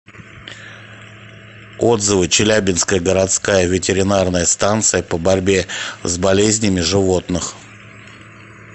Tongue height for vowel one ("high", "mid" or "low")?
mid